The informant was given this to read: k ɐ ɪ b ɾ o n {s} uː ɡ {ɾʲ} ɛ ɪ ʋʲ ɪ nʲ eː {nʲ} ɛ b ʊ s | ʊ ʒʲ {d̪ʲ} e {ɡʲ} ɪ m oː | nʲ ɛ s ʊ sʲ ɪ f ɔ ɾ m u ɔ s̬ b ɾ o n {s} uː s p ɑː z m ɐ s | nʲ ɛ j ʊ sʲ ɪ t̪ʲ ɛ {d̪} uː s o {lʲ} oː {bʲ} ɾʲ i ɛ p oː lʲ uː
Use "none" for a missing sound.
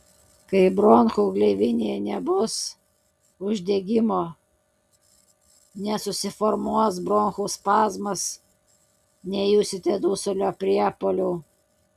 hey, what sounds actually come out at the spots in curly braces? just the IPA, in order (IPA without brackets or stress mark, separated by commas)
x, lʲ, nʲ, d̪ʲ, ɡʲ, x, d̪, lʲ, pʲ